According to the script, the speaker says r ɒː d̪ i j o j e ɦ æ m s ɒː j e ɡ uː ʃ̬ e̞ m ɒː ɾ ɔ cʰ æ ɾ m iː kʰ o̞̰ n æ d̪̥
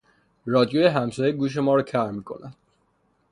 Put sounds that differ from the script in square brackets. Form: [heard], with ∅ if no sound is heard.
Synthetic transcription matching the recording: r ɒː d̪ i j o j e ɦ æ m s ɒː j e ɡ uː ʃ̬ e̞ m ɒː ɾ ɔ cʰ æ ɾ m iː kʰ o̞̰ n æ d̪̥